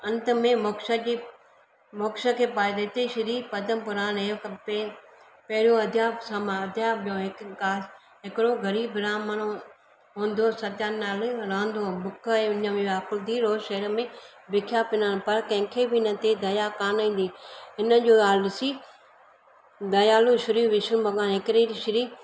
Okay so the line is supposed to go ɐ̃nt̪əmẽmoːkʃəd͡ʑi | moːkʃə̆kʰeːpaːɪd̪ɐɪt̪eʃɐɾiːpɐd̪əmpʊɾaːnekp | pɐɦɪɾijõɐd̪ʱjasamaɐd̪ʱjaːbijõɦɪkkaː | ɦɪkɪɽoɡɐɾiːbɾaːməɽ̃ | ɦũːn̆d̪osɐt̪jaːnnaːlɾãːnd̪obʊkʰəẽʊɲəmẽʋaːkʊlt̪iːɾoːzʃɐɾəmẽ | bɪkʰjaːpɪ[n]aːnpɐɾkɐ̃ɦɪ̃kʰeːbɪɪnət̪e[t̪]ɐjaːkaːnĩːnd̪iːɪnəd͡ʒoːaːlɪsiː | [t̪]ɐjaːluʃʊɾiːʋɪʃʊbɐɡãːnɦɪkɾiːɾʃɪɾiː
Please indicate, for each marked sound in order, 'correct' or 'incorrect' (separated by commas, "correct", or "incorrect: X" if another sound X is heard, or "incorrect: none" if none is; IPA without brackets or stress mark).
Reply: correct, incorrect: d̪, incorrect: d̪